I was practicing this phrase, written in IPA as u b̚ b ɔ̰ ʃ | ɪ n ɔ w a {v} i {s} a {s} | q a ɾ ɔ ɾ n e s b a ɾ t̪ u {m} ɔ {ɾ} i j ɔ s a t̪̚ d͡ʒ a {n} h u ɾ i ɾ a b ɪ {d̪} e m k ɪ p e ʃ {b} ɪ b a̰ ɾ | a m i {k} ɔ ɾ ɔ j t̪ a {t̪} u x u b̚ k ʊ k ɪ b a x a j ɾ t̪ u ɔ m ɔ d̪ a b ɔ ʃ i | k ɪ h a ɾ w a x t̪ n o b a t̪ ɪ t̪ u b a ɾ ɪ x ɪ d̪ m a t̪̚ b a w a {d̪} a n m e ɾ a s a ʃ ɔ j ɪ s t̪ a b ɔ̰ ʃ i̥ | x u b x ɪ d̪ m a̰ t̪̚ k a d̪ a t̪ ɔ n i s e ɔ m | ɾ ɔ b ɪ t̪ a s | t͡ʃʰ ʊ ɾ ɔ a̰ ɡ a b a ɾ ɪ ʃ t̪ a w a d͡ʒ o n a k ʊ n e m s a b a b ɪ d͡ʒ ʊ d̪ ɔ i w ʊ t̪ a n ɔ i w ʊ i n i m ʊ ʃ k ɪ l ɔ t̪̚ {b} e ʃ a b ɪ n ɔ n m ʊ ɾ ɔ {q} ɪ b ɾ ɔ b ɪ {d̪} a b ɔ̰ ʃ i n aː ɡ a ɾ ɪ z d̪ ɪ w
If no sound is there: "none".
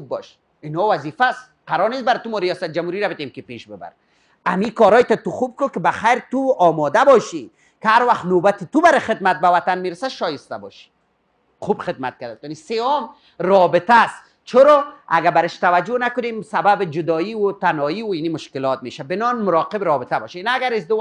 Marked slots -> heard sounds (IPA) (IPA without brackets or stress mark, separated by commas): z, f, s, m, ɾ, m, t̪, b, k, t̪, t̪, m, q, t̪